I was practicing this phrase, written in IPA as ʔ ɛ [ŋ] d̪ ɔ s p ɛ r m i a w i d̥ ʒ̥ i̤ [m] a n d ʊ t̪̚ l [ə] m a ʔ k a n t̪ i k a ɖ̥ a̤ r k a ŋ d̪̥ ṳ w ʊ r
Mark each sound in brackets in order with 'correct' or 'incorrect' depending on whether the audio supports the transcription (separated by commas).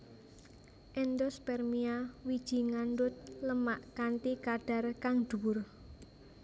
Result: incorrect, incorrect, correct